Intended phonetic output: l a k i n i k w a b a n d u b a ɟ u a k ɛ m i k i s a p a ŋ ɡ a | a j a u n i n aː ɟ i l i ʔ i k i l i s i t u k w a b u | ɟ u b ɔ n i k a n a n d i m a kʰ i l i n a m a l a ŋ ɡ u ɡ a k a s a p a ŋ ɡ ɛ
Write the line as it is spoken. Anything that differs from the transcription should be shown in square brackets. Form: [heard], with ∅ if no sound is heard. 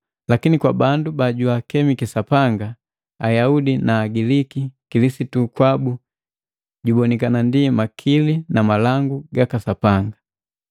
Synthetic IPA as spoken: l a k i n i k w a b a n d u b a ɟ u a k ɛ m i k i s a p a ŋ ɡ a | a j a u [d] i n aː [ɡ] i l i [k] i k i l i s i t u k w a b u | ɟ u b ɔ n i k a n a n d i m a kʰ i l i n a m a l a ŋ ɡ u ɡ a k a s a p a ŋ ɡ [a]